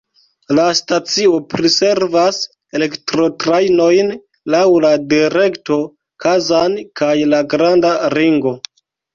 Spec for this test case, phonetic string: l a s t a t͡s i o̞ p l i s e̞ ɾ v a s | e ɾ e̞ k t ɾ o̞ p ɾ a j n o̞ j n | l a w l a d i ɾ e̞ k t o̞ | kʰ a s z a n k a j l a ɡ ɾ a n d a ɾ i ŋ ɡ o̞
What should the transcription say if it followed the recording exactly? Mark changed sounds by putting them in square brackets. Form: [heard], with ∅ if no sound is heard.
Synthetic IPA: l a s t a t͡s i o̞ p [ɾ] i s e̞ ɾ v a s | e [l] e̞ k t ɾ o̞ [t] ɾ a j n o̞ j n | l a w l a d i ɾ e̞ k t o̞ | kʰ a [∅] z a n k a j l a ɡ ɾ a n d a ɾ i ŋ ɡ o̞

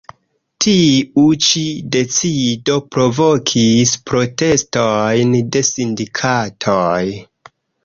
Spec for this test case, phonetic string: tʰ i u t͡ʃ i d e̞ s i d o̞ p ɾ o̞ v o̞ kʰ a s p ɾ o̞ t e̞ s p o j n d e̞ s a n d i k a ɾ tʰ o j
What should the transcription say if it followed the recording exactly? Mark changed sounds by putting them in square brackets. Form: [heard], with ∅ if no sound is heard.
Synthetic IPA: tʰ i u t͡ʃ i d e̞ [t͡s] i d o̞ p ɾ o̞ v o̞ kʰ [i] s p ɾ o̞ t e̞ s [t] o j n d e̞ s [i] n d i [kʰ] a [∅] tʰ o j

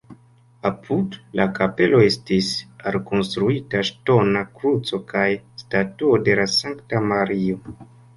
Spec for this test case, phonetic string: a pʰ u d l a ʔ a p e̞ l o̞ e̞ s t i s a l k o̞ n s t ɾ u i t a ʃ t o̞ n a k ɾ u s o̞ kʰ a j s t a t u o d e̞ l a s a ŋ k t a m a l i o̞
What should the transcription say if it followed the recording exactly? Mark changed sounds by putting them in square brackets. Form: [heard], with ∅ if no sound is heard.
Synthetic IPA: a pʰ u d l a [k] a p e̞ l o̞ e̞ s t i s a l k o̞ n s t ɾ u i t a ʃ t o̞ n a k ɾ u [t͡s] o̞ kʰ a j s t a t u o d e̞ l a s a ŋ k t a m a [ɾ] i o̞

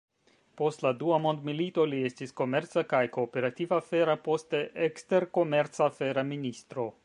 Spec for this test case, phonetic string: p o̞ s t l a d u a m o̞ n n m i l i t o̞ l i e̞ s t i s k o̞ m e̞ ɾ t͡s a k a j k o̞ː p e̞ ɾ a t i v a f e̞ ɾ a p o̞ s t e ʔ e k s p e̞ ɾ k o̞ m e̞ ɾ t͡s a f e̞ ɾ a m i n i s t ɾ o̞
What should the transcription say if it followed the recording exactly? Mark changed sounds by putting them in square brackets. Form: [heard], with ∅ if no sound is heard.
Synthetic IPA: p o̞ s t l a d u a m o̞ n [d] m i l i t o̞ l i e̞ s t i s k o̞ m e̞ ɾ t͡s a k a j k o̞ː p e̞ ɾ a t i v a f e̞ ɾ a p o̞ s t e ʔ e k s [t] e̞ ɾ k o̞ m e̞ ɾ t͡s a f e̞ ɾ a m i n i s t ɾ o̞

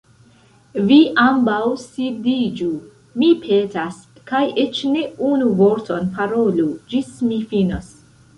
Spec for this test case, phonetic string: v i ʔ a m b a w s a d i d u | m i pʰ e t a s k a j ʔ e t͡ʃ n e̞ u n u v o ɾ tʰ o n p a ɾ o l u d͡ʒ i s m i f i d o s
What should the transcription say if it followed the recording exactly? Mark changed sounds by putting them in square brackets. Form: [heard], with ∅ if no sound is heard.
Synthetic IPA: v i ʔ a m b a w s [i] d i [d͡ʒ] u | m i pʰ e t a s k a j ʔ e t͡ʃ n e̞ u n u v o ɾ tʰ o n p a ɾ o l u d͡ʒ i s m i f i [n] o s

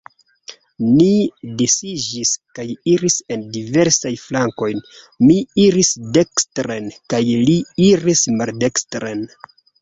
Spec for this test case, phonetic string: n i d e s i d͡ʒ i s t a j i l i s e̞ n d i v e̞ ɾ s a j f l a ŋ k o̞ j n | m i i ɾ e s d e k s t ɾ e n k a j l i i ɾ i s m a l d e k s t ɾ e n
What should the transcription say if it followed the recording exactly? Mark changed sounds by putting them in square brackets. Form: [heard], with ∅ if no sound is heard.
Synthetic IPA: n i d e s i d͡ʒ i s [k] a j i [ɾ] i s e̞ n d i v e̞ ɾ s a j f l a ŋ k o̞ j n | m i i ɾ [i] s d e k s t ɾ e n k a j l i i ɾ i s m a l d e k s t ɾ e n

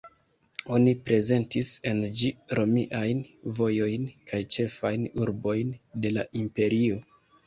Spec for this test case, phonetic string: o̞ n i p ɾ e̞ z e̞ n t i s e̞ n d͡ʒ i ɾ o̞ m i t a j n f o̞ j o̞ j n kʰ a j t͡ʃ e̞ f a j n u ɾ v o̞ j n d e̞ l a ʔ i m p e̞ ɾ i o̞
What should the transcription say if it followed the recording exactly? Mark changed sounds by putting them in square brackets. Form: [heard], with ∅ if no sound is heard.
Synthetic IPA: o̞ n i p ɾ e̞ z e̞ n t i s e̞ n d͡ʒ i ɾ o̞ m i [ʔ] a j n [v] o̞ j o̞ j n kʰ a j t͡ʃ e̞ f a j n u ɾ [b] o̞ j n d e̞ l a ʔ i m p e̞ ɾ i o̞

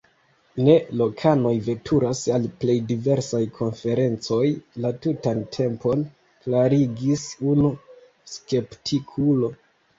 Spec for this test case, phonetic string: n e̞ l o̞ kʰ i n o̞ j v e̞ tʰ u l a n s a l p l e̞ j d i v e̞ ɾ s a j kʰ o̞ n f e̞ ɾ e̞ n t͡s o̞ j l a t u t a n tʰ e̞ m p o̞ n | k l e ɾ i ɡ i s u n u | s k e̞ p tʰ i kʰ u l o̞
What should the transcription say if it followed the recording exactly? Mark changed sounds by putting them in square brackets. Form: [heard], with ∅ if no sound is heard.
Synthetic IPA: n e̞ l o̞ kʰ [a] n o̞ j v e̞ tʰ u [ɾ] a [∅] s a l p l e̞ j d i v e̞ ɾ s a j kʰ o̞ n f e̞ ɾ e̞ n t͡s o̞ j l a t u t a n tʰ e̞ m p o̞ n | k l [a] ɾ i ɡ i s u n u | s k e̞ p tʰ i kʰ u l o̞

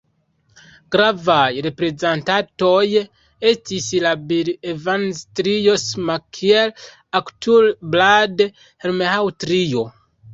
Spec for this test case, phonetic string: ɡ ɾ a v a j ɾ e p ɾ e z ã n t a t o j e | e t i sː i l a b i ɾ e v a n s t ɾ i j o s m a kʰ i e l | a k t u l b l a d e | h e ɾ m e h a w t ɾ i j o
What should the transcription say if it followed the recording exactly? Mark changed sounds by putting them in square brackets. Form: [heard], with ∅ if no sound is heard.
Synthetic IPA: ɡ ɾ a v a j ɾ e p ɾ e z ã n t a t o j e | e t i [s] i l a b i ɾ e v a n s t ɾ i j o s m a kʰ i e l | a k t u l b l a d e | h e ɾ m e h a w t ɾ i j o

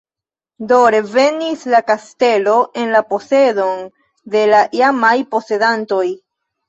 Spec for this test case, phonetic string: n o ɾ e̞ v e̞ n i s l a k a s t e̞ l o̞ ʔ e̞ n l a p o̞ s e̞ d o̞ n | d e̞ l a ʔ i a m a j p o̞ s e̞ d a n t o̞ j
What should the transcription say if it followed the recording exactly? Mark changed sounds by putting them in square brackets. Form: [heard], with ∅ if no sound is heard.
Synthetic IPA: [d] o ɾ e̞ v e̞ n i s l a k a s t e̞ l o̞ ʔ e̞ n l a p o̞ s e̞ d o̞ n | d e̞ l a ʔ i a m a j p o̞ s e̞ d a n t o̞ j

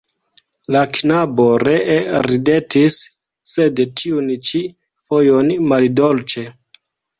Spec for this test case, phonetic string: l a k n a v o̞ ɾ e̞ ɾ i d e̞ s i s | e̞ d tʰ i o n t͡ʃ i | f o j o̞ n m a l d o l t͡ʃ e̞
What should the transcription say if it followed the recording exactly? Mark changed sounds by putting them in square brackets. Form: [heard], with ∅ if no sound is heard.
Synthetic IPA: l a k n a [b] o̞ ɾ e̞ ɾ i d e̞ [t] i [sː] | e̞ d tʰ i [u] n t͡ʃ i | f o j o̞ n m a l d o l t͡ʃ e̞

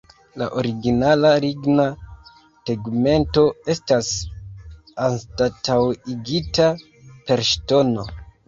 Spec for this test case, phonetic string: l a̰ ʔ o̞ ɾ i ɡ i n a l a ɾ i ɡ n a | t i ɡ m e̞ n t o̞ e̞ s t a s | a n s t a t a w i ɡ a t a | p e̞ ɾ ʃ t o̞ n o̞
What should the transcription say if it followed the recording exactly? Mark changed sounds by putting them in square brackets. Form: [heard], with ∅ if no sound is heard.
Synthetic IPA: l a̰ ʔ o̞ ɾ i ɡ i n a l a ɾ i ɡ n a | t [e] ɡ m e̞ n t o̞ e̞ s t a s | a n s t a t a w i ɡ [i] t a | p e̞ ɾ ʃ t o̞ n o̞

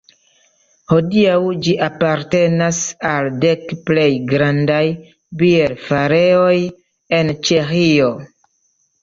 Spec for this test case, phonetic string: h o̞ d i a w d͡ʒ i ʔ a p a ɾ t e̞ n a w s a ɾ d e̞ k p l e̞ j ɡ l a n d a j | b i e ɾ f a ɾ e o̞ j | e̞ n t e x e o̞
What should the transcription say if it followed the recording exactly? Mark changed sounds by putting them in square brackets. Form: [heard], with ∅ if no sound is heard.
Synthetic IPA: h o̞ d i a w d͡ʒ i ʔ a p a ɾ t e̞ n a [∅] s a [l] d e̞ k p l e̞ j ɡ [ɾ] a n d a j | b i e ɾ f a ɾ e o̞ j | e̞ n [t͡ʃ] e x [i] o̞

